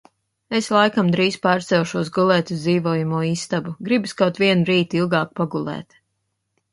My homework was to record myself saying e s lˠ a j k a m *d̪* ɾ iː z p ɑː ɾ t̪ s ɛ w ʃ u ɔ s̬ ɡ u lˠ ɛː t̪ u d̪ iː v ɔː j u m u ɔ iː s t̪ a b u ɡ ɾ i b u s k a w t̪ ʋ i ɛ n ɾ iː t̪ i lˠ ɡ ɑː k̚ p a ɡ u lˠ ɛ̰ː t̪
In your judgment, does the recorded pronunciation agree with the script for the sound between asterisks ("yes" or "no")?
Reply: yes